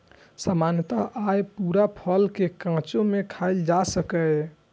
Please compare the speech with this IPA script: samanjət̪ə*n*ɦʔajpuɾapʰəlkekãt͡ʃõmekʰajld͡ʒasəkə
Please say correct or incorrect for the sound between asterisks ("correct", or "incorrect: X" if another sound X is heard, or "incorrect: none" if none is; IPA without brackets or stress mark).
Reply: incorrect: none